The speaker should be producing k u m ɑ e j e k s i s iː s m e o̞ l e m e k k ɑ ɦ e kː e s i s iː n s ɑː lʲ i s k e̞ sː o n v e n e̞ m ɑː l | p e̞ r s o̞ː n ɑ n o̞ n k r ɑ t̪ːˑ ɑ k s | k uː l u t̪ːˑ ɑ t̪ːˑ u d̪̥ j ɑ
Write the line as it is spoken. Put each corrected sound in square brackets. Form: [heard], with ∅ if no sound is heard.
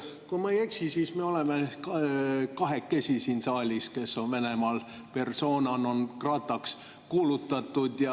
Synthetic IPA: k u m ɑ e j e k s i s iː s m e o̞ l e m e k k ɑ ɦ e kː e s i s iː n s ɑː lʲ i s k e̞ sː o n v e n e̞ m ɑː l | p e̞ r s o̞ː n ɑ n o̞ n k r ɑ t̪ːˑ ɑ k s | k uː l u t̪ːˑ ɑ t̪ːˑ u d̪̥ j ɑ